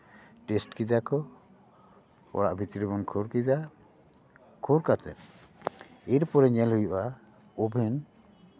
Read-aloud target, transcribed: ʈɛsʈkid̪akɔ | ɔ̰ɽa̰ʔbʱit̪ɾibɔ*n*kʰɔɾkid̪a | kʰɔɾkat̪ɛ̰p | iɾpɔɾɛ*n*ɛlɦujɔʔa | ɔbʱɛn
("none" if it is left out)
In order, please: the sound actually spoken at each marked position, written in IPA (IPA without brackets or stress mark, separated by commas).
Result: n, ɲ